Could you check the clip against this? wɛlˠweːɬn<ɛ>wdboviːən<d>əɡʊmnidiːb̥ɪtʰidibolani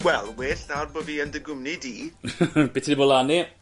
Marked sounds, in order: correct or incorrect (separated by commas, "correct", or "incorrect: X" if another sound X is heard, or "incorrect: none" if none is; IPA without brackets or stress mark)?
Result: incorrect: a, correct